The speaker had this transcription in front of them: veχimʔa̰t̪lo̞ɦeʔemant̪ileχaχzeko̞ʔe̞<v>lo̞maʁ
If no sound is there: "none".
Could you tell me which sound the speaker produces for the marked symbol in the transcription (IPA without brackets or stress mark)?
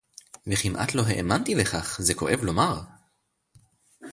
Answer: v